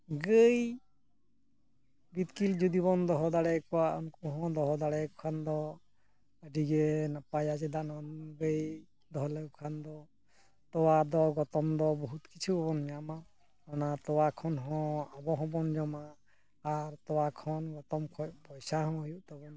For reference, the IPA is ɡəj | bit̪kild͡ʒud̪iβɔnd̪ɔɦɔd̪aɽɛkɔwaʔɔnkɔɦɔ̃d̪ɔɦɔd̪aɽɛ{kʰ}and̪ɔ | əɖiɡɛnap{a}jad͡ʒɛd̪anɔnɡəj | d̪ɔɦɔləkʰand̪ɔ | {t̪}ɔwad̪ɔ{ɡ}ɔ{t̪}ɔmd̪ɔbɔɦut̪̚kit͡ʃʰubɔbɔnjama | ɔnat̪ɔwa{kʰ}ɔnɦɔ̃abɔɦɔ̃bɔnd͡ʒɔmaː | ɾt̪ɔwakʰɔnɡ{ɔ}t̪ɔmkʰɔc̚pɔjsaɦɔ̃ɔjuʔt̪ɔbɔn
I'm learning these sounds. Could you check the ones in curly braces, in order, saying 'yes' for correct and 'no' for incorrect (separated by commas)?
yes, yes, yes, yes, yes, yes, yes